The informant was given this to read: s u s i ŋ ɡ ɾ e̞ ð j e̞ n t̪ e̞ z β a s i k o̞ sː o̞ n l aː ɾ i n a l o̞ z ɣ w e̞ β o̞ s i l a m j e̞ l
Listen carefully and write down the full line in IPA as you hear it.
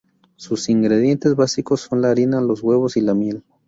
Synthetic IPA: s u s i ŋ ɡ ɾ e̞ ð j e̞ n t̪ e̞ z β a s i k o̞ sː o̞ n l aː ɾ i n a l o̞ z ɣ w e̞ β o̞ s i l a m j e̞ l

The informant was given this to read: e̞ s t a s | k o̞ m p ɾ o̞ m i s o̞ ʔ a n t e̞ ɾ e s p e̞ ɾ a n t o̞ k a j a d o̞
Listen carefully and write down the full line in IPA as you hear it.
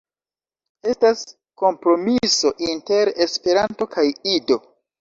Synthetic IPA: e̞ s t a s | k o̞ m p ɾ o̞ m i s o̞ ʔ i n t e̞ ɾ e s p e̞ ɾ a n t o̞ k a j i d o̞

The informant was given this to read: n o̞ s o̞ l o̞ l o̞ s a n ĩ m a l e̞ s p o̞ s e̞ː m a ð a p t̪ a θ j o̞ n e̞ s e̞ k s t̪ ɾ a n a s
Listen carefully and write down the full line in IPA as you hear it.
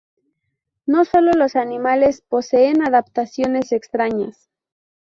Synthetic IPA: n o̞ s o̞ l o̞ l o̞ s a n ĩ m a l e̞ s p o̞ s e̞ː n a ð a p t̪ a s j o̞ n e̞ s e̞ k s t̪ ɾ a ɲ a s

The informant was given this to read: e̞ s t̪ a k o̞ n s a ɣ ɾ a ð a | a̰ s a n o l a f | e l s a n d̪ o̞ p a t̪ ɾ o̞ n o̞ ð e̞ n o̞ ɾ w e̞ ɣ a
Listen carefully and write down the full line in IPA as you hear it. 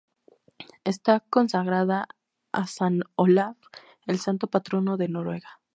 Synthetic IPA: e̞ s t̪ a k o̞ n s a ɣ ɾ a ð a | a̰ s a n o l a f | e l s a n t̪ o̞ p a t̪ ɾ o̞ n o̞ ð e̞ n o̞ ɾ w e̞ ɣ a

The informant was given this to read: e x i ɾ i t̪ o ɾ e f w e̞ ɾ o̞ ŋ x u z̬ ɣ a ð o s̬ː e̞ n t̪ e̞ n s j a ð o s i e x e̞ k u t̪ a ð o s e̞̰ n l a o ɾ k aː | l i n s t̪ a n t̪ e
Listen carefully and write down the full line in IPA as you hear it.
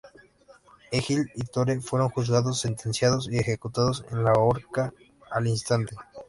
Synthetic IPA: e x i l i t̪ o ɾ e f w e̞ ɾ o̞ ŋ x u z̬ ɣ a ð o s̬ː e̞ n t̪ e̞ n s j a ð o s i e x e̞ k u t̪ a ð o s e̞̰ n l a o ɾ k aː | l i n s t̪ a n t̪ e

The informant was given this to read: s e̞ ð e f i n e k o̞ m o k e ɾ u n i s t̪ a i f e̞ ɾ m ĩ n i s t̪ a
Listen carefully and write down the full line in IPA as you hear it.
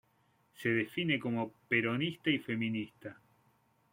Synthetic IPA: s e̞ ð e f i n e k o̞ m o p e ɾ o n i s t̪ a i f e̞ m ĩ n i s t̪ a

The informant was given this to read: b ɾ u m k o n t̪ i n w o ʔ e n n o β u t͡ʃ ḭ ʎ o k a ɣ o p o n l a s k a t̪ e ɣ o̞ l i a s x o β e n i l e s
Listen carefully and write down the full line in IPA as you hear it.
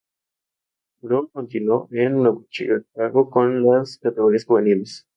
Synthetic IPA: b ɾ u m k o n t̪ i n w o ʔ e n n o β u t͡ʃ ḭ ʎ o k a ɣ o k o n l a s k a t̪ e ɣ o̞ ɾ i a s x u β e n i l e s

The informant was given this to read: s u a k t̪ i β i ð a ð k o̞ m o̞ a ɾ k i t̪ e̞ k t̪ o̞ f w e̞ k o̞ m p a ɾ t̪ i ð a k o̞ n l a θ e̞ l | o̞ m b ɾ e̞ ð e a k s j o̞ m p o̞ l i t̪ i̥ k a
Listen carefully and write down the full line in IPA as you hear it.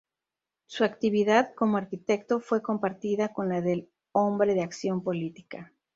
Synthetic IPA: s u a k t̪ i β i ð a ð k o̞ m o̞ a ɾ k i t̪ e̞ k t̪ o̞ f w e̞ k o̞ m p a ɾ t̪ i ð a k o̞ n l a ð e̞ l | o̞ m b ɾ e̞ ð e a k s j o̞ m p o̞ l i t̪ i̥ k a

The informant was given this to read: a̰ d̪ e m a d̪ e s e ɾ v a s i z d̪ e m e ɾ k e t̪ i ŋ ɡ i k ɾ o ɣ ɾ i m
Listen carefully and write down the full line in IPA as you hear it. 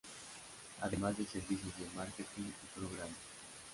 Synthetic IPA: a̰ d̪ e m a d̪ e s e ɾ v i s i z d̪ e m a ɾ k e t̪ i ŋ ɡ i p ɾ o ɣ ɾ a m

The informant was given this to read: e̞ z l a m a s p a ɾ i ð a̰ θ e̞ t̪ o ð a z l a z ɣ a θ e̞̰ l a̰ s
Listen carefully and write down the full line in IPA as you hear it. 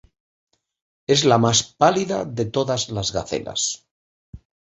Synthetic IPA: e̞ z l a m a s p a l i ð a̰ ð e̞ t̪ o ð a z l a z ɣ a θ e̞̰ l a̰ s

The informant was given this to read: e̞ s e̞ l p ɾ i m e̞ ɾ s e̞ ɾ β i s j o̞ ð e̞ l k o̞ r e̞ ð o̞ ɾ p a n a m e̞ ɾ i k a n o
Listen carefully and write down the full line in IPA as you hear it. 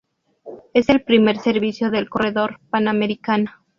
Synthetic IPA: e̞ s e̞ l p ɾ i m e̞ ɾ s e̞ ɾ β i s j o̞ ð e̞ l k o̞ r e̞ ð o̞ ɾ p a n a m e̞ ɾ i k a n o

